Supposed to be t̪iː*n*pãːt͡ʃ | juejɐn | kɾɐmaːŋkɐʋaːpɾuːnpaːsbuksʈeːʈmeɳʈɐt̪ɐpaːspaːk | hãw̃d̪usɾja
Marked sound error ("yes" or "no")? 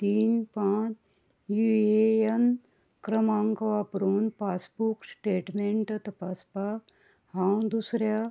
no